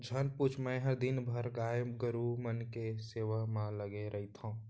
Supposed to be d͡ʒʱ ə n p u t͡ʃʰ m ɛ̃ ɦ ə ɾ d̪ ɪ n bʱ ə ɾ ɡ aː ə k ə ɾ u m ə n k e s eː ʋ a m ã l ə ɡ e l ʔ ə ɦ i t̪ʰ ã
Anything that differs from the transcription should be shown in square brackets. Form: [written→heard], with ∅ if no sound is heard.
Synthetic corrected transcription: d͡ʒʱ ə n p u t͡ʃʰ m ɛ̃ ɦ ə ɾ d̪ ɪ n bʱ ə ɾ ɡ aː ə [k→ɡ] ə ɾ u m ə n k e s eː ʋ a m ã l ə ɡ e [l→ɾ] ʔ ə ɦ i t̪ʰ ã